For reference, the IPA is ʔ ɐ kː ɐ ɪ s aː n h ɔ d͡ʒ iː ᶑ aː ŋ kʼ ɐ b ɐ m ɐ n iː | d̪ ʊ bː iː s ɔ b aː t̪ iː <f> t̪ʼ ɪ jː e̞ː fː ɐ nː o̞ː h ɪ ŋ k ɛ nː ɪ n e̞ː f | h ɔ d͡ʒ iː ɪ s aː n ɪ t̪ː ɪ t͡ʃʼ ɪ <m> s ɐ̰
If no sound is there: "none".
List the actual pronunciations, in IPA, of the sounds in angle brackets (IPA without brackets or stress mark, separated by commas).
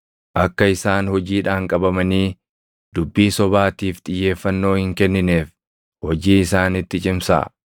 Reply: f, m